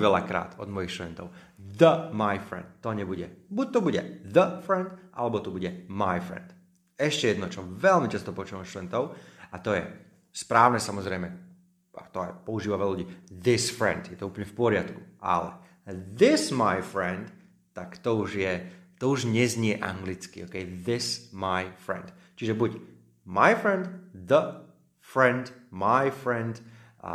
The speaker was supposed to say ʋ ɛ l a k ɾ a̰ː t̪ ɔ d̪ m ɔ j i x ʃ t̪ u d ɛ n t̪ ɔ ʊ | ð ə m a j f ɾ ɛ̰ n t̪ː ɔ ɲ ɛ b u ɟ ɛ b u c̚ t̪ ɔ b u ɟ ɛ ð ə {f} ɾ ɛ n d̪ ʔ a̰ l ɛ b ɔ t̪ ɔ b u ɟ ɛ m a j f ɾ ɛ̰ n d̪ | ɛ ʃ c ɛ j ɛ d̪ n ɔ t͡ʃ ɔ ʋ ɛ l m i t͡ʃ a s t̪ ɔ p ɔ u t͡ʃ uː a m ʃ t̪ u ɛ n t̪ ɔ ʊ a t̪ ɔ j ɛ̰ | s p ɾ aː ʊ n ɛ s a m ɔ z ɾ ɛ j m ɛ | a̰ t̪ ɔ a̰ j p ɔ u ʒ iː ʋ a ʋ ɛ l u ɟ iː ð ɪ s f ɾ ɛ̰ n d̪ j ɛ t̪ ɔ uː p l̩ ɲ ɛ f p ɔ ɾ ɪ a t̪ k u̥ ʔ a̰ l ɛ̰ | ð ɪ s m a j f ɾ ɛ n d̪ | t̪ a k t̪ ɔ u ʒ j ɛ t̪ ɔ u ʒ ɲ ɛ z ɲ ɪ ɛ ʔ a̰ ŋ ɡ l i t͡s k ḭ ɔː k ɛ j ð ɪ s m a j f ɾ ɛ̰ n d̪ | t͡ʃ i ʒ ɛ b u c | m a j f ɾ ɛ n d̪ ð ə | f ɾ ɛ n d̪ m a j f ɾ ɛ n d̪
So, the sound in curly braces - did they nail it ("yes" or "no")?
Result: yes